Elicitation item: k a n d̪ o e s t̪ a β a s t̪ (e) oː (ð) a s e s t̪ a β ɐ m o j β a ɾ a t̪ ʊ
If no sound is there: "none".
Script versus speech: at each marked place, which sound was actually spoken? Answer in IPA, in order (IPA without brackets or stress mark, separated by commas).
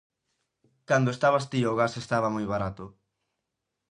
i, ɣ